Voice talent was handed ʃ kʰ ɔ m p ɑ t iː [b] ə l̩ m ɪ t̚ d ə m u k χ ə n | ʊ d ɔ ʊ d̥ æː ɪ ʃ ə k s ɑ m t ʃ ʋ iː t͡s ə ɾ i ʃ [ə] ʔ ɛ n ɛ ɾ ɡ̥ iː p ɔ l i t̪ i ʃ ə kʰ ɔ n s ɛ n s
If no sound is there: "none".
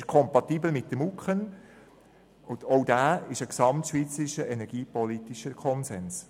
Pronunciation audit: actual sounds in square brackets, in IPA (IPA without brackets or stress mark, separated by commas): b, ə